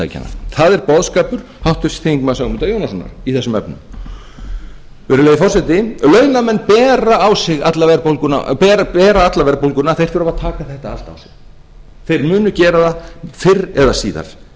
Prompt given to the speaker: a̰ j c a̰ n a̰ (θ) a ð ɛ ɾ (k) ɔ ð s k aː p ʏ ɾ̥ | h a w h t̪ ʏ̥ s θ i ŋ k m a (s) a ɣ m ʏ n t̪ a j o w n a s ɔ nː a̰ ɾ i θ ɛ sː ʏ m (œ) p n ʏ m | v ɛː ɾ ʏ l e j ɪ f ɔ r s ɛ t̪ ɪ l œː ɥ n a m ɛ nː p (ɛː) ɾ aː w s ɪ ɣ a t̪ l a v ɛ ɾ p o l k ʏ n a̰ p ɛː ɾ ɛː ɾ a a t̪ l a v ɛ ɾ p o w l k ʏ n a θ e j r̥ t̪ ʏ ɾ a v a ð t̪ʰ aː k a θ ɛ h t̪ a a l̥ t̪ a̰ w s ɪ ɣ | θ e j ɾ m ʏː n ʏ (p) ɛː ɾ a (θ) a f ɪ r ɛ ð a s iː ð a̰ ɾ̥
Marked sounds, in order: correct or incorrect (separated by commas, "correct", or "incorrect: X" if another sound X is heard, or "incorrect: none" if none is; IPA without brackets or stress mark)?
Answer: correct, incorrect: p, correct, incorrect: ɛ, correct, incorrect: c, incorrect: ð